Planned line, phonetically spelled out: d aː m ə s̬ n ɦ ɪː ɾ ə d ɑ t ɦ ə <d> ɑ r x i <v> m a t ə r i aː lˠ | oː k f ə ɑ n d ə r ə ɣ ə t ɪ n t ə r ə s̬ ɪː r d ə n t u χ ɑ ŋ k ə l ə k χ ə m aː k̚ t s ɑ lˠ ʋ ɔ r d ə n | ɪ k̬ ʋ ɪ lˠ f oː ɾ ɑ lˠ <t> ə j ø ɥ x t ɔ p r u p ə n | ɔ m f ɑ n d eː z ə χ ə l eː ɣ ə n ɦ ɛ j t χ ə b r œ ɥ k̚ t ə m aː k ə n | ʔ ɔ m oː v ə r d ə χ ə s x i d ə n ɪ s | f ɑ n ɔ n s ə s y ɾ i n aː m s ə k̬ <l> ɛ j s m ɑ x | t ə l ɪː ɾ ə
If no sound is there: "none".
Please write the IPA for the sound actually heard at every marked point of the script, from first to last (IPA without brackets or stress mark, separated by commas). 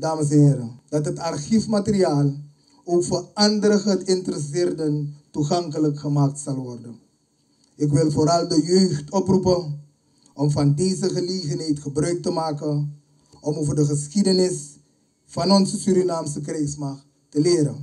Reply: t, f, d, r